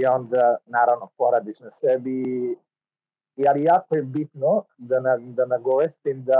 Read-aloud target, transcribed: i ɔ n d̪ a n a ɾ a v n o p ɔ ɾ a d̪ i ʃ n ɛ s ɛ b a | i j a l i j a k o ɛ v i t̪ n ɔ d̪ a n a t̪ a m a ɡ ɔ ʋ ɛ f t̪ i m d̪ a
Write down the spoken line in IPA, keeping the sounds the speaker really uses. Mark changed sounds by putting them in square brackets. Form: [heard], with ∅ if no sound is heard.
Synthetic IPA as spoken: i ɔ n d̪ a n a ɾ a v n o p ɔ ɾ a d̪ i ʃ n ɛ s ɛ b [i] | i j a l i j a k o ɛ [b] i t̪ n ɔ d̪ a n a [d̪] a [n] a ɡ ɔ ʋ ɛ [s] t̪ i m d̪ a